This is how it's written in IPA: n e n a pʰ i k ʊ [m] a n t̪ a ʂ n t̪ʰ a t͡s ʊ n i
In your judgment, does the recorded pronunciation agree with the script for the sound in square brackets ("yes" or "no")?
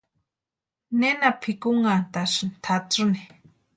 no